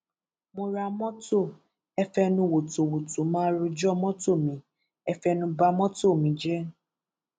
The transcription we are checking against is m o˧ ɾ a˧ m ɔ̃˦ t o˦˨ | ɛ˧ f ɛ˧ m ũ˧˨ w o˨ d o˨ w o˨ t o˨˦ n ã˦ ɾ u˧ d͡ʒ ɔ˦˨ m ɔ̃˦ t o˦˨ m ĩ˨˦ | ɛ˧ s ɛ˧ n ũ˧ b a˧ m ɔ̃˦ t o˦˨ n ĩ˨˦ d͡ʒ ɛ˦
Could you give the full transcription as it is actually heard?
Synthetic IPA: m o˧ ɾ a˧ m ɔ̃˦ t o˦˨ | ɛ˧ f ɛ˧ n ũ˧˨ w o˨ t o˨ w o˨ t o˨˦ m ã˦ ɾ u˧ d͡ʒ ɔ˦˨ m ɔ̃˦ t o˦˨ m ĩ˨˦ | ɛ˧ f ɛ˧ n ũ˧ b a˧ m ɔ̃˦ t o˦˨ m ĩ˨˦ d͡ʒ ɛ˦